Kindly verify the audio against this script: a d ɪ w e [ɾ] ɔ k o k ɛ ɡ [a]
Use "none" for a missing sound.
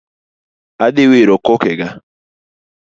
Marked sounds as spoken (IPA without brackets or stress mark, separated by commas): ɾ, a